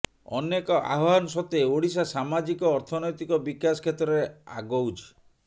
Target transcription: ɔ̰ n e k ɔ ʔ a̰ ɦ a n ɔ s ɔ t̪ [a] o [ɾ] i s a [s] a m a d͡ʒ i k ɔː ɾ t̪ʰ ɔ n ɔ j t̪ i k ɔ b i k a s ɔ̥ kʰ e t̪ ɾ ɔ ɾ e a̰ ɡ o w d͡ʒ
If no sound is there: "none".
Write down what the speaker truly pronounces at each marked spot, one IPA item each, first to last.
e, ɽ, s

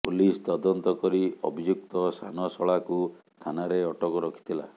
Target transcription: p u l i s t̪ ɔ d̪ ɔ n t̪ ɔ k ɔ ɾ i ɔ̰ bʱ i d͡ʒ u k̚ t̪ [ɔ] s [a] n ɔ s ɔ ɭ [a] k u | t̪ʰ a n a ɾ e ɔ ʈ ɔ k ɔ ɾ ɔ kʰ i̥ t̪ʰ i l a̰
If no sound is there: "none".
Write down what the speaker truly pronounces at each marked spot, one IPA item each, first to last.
ɔ, a, a

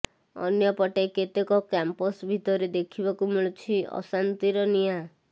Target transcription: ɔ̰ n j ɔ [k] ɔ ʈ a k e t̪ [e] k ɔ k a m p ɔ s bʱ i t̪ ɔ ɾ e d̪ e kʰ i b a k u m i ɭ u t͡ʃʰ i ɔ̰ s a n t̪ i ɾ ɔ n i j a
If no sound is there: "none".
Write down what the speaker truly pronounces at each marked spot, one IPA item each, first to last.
p, e

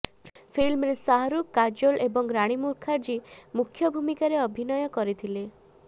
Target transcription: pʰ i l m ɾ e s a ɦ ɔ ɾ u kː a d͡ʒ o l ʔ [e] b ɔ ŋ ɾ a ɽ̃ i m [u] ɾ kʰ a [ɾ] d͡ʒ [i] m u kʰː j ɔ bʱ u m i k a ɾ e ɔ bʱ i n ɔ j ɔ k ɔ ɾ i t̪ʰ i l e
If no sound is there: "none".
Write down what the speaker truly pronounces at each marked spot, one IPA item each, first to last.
e, u, ɾ, i

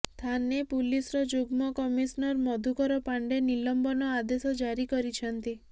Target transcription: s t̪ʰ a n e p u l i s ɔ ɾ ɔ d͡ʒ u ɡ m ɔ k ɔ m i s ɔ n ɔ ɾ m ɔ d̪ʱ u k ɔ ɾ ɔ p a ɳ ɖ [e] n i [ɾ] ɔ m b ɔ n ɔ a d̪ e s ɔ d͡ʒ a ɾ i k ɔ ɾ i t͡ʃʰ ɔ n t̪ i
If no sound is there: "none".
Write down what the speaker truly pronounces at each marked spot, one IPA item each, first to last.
e, l

